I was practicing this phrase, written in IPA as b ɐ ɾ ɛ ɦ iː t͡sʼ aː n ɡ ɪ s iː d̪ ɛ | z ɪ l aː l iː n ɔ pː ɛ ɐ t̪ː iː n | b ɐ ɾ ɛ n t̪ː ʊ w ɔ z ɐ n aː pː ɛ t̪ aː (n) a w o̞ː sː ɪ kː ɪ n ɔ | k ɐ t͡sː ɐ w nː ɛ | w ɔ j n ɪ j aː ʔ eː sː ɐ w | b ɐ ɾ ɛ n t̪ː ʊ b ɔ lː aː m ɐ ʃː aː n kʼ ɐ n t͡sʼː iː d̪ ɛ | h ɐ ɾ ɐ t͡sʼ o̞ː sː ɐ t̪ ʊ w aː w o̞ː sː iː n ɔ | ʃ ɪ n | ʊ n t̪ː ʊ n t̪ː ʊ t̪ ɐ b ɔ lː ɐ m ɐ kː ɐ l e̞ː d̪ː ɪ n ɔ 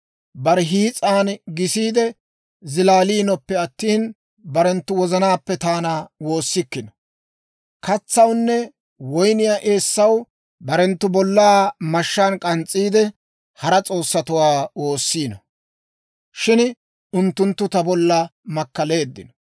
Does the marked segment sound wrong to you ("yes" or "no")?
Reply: no